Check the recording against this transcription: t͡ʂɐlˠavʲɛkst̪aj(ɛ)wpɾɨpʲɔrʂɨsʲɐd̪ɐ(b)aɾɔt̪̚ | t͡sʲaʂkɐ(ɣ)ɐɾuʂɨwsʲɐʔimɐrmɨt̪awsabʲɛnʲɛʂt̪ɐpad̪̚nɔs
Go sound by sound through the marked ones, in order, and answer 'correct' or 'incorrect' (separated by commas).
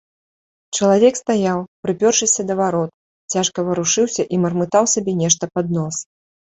incorrect, incorrect, incorrect